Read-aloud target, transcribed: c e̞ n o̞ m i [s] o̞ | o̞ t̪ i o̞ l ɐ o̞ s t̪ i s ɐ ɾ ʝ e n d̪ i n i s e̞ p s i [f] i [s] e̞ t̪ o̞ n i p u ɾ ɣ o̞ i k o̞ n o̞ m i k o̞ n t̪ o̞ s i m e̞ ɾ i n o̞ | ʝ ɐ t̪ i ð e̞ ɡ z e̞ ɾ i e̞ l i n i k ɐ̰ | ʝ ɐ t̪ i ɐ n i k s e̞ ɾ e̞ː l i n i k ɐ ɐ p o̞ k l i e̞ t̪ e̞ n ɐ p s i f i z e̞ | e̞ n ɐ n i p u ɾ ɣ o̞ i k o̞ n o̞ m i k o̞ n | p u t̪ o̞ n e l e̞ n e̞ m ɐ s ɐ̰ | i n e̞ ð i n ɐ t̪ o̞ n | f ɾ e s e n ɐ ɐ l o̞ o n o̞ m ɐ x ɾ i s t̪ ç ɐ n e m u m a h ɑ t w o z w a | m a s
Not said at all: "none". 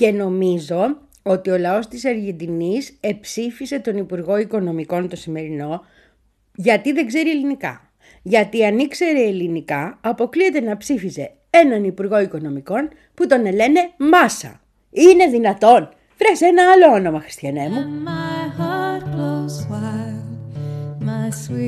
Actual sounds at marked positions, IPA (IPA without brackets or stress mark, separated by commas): z, f, s